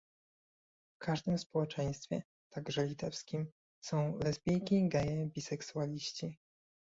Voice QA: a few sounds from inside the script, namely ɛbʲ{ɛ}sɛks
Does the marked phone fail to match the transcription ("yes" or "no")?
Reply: yes